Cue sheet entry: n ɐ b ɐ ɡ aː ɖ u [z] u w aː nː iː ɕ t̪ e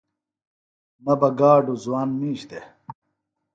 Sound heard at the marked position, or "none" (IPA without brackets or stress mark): z